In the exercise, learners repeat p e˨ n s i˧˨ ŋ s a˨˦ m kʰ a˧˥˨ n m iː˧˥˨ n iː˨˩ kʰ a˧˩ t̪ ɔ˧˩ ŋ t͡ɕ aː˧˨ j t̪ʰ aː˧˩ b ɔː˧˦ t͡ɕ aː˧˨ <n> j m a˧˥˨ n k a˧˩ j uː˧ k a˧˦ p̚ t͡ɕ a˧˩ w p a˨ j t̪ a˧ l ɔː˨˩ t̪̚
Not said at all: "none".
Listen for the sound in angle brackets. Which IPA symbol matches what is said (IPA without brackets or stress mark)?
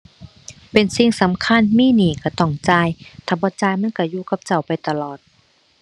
none